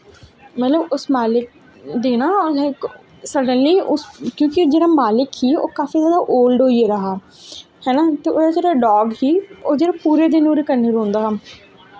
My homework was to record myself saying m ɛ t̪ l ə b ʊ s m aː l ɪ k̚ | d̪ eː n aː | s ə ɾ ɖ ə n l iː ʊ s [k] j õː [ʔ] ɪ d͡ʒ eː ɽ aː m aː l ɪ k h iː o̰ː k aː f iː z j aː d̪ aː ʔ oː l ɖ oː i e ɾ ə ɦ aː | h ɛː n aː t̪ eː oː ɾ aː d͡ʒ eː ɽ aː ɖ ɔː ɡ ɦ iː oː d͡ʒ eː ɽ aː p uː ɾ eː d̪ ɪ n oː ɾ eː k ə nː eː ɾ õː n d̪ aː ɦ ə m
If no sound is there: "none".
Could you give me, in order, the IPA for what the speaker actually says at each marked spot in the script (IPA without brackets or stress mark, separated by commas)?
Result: k, k